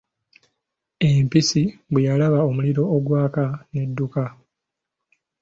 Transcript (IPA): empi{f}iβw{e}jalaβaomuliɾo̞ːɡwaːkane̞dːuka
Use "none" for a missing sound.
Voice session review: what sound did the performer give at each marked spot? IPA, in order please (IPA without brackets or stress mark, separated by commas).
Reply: s, e